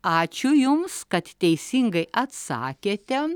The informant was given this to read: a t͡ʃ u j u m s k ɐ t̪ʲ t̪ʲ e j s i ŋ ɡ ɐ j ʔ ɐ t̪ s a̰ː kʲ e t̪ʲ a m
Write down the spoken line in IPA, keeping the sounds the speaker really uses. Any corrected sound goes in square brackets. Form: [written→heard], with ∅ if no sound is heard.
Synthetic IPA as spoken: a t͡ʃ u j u m s k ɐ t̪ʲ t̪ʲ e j s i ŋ ɡ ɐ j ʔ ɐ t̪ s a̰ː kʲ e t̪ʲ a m